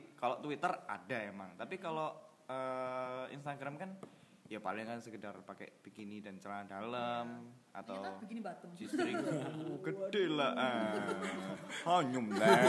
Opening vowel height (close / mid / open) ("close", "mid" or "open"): open